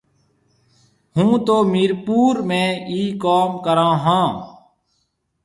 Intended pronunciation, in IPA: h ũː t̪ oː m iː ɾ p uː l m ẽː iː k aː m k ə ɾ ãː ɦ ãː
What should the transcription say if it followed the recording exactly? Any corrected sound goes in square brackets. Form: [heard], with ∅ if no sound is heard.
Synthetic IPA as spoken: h ũː t̪ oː m iː ɾ p uː [ɾ] m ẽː iː k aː m k ə ɾ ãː ɦ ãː

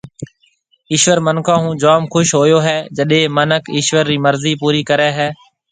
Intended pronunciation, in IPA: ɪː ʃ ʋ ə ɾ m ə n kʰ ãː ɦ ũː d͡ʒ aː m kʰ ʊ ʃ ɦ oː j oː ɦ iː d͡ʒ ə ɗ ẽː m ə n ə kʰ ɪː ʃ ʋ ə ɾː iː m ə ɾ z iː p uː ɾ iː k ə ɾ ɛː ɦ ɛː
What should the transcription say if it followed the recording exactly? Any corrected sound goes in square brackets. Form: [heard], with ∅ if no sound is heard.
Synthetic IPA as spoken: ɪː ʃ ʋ ə ɾ m ə n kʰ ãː ɦ ũː d͡ʒ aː m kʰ ʊ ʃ ɦ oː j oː ɦ [ɛː] d͡ʒ ə ɗ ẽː m ə n ə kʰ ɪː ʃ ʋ ə ɾː iː m ə ɾ z iː p uː ɾ iː k ə ɾ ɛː ɦ ɛː

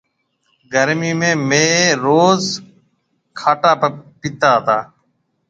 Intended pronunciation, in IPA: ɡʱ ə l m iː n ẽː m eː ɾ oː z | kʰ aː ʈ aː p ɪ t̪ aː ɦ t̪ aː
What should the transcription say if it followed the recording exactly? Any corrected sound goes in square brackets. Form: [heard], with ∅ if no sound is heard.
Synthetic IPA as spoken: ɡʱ ə [ɾ] m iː [m] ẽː m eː ɾ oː z | kʰ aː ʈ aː p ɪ t̪ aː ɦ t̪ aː

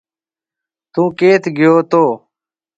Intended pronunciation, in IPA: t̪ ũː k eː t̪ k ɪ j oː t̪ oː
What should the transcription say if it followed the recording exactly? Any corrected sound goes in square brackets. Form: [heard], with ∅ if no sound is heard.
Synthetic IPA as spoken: t̪ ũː k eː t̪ [ɡ] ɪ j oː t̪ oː

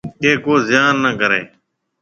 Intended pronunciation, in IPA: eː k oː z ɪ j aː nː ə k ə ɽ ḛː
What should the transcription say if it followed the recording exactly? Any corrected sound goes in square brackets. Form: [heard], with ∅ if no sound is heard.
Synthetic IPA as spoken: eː k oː z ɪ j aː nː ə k ə [ɾ] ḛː

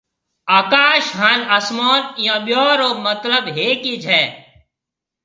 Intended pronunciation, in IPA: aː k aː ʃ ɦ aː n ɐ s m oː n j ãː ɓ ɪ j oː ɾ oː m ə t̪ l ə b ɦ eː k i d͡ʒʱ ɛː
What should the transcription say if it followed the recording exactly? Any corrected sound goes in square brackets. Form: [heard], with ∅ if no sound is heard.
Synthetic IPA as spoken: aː k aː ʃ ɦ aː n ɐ s m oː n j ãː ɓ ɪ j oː ɾ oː m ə t̪ l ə b ɦ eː k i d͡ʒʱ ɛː

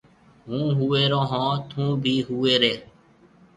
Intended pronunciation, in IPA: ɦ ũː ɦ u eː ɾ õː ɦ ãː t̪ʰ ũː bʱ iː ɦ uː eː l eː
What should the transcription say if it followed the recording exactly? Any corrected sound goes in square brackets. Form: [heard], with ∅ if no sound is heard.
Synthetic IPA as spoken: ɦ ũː ɦ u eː ɾ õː ɦ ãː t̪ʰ ũː bʱ iː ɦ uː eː [ɾ] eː

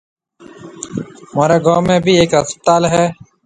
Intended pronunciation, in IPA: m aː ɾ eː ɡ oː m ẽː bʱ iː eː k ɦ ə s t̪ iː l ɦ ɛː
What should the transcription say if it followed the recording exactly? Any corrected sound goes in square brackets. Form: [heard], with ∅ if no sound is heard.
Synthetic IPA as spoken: m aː ɾ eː ɡ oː m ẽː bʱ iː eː k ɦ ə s t̪ [aː] l ɦ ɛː

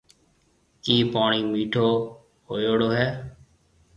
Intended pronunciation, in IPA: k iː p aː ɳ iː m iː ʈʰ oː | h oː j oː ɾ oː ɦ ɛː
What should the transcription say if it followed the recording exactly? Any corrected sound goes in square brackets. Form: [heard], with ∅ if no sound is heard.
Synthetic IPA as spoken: k iː p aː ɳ iː m iː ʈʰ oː | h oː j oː [ɽ] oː ɦ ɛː

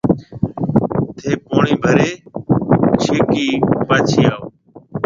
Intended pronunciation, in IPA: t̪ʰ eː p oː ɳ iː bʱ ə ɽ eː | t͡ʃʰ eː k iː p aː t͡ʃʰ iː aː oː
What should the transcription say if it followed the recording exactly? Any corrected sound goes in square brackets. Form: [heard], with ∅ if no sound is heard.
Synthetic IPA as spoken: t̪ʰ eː p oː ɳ iː bʱ ə [ɾ] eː | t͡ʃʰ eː k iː p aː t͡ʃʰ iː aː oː

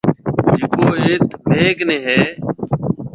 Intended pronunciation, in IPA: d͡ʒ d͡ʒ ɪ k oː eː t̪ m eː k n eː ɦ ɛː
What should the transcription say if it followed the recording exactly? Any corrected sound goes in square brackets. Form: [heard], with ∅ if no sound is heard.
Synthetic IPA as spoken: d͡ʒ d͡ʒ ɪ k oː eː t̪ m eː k n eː ɦ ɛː

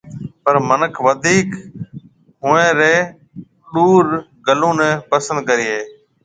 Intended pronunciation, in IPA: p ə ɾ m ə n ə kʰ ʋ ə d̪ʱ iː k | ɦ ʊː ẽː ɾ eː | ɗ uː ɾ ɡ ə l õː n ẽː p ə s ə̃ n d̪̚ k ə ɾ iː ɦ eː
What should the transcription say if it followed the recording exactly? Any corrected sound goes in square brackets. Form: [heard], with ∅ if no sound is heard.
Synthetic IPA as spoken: p ə ɾ m ə n ə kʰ ʋ ə d̪ʱ iː k | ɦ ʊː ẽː ɾ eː | ɗ uː ɾ ɡ ə l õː n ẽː p ə s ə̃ n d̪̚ k ə ɾ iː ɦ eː

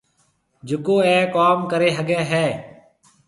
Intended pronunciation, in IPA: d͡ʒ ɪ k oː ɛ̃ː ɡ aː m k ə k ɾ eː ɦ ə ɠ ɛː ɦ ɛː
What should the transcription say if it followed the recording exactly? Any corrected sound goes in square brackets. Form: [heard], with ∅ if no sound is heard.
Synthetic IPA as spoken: d͡ʒ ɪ k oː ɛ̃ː [k] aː m k ə [∅] ɾ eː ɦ ə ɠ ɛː ɦ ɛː

